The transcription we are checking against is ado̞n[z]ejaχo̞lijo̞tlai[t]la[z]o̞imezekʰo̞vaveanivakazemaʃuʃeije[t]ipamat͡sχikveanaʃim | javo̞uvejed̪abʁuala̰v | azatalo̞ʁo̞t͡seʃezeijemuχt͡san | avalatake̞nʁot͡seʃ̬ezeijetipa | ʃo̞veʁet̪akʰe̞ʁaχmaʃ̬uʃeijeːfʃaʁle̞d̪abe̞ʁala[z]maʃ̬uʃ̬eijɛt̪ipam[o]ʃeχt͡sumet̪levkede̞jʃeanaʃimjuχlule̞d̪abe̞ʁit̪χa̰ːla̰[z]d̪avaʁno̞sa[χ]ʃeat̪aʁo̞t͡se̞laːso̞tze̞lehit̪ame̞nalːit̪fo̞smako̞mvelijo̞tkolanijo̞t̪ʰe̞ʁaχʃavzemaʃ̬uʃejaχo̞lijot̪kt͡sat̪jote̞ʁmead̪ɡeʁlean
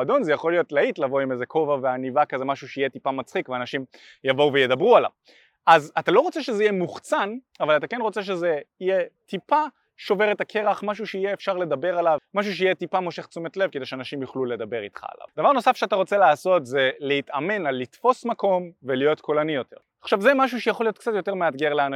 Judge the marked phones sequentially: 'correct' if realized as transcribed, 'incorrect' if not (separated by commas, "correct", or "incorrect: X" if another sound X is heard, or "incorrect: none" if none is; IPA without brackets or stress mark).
correct, correct, incorrect: v, correct, incorrect: v, correct, incorrect: v, incorrect: f